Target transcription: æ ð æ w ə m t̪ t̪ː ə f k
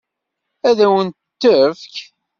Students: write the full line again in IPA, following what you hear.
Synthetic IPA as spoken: æ ð æ w ə n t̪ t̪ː ə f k